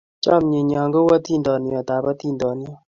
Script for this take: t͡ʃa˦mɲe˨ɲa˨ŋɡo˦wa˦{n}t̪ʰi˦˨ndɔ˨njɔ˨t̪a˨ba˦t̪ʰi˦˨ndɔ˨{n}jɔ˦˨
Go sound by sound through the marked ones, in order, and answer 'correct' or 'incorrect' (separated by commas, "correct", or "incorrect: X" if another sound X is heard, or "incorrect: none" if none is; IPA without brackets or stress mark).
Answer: incorrect: none, correct